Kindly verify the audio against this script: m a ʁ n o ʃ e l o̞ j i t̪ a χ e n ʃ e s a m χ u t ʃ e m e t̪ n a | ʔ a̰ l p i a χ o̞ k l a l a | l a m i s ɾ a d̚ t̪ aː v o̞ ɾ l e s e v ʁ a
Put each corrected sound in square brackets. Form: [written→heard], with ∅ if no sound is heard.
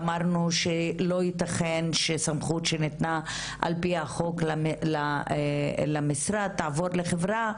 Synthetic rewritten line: m a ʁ n [o→u] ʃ e l o̞ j i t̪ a χ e n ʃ e s a m χ u t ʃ e [m→n] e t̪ n a | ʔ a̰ l p i a χ o̞ k l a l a | l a m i s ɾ a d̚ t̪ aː v o̞ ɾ l e [s→χ] e v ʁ a